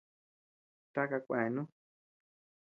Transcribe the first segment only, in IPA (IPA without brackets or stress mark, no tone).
t̪